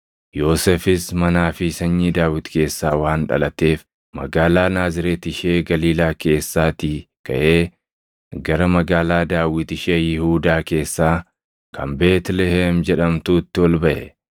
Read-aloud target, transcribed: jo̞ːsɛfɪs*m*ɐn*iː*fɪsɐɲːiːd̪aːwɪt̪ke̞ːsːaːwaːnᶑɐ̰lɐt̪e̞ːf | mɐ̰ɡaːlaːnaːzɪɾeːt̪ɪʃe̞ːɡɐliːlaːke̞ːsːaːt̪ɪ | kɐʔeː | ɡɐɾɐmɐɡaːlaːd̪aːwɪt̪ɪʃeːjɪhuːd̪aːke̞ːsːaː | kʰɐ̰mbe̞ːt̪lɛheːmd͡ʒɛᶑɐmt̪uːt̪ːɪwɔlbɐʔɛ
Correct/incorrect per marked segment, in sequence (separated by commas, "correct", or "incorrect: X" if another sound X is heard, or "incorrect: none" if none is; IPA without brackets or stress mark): correct, incorrect: aː